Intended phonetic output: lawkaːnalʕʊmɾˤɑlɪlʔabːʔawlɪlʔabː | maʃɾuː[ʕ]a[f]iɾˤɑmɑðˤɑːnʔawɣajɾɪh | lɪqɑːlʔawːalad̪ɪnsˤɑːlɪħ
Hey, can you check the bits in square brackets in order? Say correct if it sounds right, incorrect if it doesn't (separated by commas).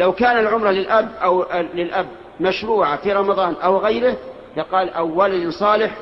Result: correct, correct